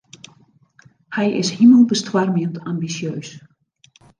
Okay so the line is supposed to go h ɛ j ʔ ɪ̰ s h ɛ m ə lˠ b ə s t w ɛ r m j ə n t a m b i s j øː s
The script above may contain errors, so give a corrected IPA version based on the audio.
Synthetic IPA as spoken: h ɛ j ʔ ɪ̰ s h i m ə lˠ b ə s t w a r m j ə n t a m b i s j øː s